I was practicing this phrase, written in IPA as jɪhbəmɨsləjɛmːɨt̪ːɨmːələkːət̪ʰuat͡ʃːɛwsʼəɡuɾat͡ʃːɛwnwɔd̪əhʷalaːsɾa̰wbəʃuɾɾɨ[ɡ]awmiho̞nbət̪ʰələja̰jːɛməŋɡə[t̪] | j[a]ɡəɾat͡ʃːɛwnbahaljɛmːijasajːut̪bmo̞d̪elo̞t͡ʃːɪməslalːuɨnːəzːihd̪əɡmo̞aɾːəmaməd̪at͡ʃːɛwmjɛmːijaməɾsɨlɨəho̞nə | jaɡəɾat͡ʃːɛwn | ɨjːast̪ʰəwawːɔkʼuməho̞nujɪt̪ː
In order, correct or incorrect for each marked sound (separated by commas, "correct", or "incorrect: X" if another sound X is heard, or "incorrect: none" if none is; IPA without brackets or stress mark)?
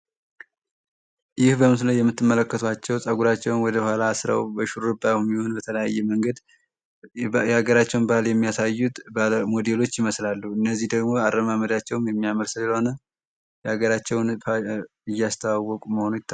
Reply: incorrect: b, incorrect: d̪, correct